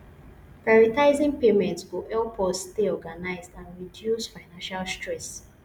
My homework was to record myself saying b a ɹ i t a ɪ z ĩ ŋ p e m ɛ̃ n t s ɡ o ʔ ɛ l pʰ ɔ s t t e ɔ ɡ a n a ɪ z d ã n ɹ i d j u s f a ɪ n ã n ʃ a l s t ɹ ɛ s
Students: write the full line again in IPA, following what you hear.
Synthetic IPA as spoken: p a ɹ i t a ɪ z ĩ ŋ p e m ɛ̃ n t s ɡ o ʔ ɛ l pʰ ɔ s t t e ɔ ɡ a n a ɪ z d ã n ɹ i d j u s f a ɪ n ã n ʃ a l s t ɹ ɛ s